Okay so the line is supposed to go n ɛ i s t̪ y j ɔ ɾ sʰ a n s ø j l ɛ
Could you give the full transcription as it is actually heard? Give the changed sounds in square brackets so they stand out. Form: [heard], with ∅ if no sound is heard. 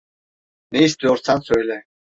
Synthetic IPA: n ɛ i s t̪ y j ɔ ɾ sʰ a n s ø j l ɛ